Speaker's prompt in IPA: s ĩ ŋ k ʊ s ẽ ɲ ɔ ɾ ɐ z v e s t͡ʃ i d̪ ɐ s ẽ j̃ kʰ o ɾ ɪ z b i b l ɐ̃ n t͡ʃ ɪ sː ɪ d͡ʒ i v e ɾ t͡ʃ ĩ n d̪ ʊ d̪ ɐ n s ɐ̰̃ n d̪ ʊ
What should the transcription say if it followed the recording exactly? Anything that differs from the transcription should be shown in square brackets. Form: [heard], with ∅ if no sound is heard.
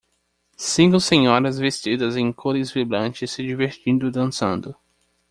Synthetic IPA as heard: s ĩ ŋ k ʊ s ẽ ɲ ɔ ɾ ɐ z v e s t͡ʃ i d̪ ɐ [z] ẽ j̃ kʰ o ɾ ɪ z [v] i b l ɐ̃ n t͡ʃ ɪ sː ɪ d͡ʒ i v e ɾ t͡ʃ ĩ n d̪ ʊ d̪ [ɐ̃] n s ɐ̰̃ n d̪ ʊ